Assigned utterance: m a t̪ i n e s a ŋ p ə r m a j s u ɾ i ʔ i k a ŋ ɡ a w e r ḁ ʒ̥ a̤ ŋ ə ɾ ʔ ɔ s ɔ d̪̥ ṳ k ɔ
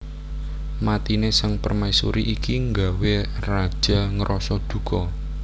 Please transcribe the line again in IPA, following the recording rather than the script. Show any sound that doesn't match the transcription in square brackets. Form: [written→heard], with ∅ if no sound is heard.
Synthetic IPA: m a t̪ i n e s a ŋ p ə r m a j s u ɾ i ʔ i k [a→i] ŋ ɡ a w e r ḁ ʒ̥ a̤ ŋ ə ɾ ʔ ɔ s ɔ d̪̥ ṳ k ɔ